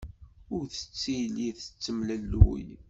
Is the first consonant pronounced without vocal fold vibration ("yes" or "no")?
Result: no